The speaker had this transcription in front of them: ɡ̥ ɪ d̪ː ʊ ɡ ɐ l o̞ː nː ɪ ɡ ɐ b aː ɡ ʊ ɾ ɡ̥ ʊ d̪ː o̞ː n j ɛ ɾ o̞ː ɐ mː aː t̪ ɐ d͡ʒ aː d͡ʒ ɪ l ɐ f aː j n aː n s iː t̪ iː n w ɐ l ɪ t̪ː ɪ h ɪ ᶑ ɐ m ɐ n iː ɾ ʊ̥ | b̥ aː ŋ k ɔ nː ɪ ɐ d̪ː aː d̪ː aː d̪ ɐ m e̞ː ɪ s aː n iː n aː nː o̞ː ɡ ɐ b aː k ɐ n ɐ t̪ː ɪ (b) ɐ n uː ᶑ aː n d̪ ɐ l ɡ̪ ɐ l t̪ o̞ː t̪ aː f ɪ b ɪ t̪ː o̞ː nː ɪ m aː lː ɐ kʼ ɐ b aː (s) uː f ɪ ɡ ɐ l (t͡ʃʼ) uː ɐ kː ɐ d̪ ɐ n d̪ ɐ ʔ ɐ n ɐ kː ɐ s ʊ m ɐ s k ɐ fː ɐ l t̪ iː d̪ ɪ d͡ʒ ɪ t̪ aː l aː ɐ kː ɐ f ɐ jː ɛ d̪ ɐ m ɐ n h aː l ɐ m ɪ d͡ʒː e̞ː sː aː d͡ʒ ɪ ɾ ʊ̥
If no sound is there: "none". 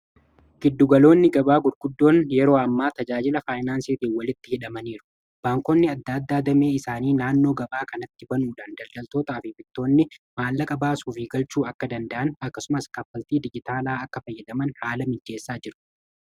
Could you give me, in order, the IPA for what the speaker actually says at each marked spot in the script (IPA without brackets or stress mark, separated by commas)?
b, s, t͡ʃ